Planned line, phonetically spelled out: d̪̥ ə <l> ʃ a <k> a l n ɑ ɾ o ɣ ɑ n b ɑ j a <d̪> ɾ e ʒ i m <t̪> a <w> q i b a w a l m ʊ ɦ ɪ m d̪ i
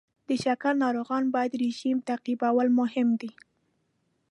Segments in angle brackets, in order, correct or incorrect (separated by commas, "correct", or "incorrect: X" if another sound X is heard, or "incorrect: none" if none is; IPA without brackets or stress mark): incorrect: none, correct, correct, correct, incorrect: none